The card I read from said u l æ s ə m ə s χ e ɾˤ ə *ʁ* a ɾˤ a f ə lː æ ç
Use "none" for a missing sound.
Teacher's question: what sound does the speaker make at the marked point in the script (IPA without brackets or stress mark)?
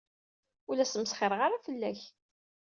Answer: ʁ